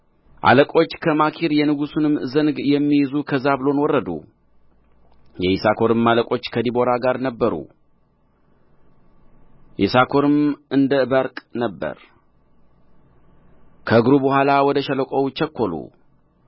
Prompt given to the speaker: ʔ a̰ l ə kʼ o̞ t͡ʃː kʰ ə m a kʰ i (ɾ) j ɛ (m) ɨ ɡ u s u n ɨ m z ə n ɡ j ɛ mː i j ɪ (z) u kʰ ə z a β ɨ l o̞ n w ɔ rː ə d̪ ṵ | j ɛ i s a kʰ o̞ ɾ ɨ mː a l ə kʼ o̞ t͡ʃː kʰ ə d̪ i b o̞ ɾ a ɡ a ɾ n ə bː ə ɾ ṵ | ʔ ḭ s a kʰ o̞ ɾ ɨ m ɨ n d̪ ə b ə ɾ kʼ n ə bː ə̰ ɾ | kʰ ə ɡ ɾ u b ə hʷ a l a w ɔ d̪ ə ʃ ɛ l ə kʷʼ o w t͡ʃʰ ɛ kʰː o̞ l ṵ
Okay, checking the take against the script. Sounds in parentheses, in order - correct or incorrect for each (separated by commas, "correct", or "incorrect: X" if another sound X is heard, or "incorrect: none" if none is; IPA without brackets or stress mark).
correct, incorrect: n, correct